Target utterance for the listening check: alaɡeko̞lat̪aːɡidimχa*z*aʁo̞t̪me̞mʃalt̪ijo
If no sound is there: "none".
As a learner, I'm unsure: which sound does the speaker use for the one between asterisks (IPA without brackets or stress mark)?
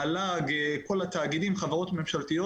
v